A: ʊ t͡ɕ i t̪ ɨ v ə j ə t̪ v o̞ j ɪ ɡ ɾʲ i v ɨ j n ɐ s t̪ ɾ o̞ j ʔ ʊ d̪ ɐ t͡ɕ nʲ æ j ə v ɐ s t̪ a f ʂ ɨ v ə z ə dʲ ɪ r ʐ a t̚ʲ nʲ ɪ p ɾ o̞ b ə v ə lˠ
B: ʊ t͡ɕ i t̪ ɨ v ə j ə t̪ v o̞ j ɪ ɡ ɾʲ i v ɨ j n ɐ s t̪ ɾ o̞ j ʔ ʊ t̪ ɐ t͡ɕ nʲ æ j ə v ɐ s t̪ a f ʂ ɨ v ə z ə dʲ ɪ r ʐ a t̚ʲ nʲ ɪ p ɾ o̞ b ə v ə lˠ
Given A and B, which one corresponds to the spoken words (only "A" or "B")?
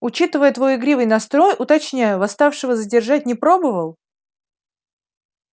B